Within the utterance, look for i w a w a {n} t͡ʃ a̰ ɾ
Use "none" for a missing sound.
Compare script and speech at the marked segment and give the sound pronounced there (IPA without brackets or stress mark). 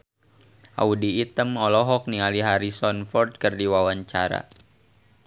ɲ